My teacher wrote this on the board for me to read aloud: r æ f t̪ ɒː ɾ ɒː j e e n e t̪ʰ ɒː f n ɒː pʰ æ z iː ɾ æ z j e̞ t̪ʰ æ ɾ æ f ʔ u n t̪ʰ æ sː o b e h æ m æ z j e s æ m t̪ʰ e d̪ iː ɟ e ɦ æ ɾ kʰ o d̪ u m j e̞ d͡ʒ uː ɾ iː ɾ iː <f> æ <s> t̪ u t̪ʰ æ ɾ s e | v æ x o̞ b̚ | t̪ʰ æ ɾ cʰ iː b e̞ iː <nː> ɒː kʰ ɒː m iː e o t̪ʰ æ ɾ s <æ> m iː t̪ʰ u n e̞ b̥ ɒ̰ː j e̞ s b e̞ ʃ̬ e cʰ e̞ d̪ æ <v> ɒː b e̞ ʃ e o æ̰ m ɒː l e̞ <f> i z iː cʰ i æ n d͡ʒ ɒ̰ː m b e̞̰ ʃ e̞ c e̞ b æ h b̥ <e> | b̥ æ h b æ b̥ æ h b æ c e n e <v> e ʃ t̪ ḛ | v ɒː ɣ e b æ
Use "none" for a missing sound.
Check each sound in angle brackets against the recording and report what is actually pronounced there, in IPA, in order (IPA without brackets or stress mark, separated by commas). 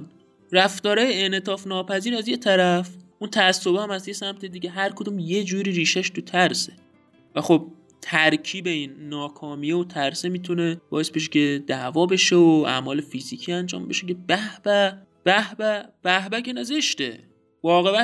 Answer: ʃ, ʃ, nː, e, v, f, æ, z